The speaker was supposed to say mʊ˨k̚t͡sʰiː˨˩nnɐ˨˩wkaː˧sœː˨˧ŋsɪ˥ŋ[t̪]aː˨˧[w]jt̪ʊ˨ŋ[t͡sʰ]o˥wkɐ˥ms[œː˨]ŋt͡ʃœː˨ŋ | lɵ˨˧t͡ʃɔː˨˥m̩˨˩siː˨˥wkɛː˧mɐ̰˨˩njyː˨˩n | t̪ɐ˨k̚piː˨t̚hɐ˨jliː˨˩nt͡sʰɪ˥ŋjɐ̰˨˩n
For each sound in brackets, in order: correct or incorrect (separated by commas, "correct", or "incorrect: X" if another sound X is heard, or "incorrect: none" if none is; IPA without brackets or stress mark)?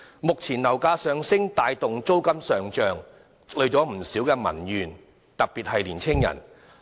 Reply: correct, incorrect: none, incorrect: t͡s, correct